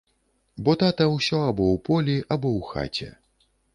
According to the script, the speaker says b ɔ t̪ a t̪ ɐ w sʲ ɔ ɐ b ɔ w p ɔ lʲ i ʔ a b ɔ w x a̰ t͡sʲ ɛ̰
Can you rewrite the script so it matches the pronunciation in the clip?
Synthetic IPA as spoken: b ɔ t̪ a t̪ ɐ w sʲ ɔ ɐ b ɔ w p ɔ lʲ i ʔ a b ɔ w x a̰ t͡sʲ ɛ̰

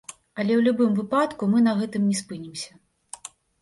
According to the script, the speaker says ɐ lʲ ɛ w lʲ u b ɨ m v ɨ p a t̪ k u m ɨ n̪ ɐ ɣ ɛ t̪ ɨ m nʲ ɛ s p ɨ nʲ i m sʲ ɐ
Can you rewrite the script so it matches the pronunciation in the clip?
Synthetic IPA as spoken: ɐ lʲ ɛ w lʲ u b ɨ m v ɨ p a t̪ k u m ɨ n̪ ɐ ɣ ɛ t̪ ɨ m nʲ ɛ s p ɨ nʲ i m sʲ ɐ

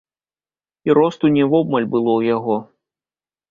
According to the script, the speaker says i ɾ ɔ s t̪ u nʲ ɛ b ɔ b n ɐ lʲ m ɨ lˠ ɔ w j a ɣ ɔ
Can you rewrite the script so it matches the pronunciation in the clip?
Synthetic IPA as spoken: i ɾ ɔ s t̪ u nʲ ɛ v ɔ b m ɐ lʲ b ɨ lˠ ɔ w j a ɣ ɔ

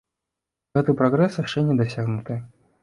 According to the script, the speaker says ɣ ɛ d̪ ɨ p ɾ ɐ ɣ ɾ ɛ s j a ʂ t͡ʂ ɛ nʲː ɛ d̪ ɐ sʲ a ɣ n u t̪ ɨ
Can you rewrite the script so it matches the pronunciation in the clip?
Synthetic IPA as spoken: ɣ ɛ t̪ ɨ p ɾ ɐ ɣ ɾ ɛ s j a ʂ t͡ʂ ɛ nʲ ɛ d̪ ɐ sʲ a ɣ n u t̪ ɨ

